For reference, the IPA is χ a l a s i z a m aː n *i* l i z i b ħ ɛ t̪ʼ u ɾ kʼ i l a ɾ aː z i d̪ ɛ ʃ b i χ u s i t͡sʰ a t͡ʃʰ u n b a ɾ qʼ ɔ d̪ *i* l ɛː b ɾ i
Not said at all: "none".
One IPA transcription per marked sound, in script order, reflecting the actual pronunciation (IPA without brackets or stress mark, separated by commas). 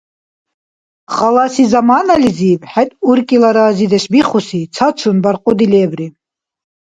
a, i